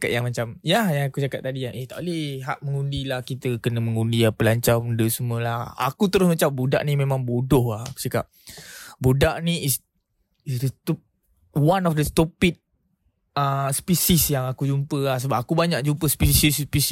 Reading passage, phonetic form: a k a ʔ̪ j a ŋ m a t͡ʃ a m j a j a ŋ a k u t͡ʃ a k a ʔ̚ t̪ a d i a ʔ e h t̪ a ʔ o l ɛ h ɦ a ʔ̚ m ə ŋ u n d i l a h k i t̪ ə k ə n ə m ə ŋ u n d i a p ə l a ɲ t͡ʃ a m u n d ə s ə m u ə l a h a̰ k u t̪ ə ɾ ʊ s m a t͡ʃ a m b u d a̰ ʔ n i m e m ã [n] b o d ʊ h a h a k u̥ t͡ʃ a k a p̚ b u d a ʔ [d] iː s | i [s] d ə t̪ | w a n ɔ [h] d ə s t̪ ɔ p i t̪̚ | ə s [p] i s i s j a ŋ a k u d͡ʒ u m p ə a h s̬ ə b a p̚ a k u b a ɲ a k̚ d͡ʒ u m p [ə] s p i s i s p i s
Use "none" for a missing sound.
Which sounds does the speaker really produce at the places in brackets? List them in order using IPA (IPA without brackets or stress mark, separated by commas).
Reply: ŋ, n, s, f, p, ə